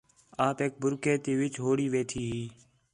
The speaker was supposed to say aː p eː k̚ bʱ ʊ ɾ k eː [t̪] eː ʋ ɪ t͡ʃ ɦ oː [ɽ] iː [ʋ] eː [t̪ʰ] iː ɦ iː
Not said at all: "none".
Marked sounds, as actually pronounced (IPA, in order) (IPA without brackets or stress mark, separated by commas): t̪, ɽ, ʋ, t̪ʰ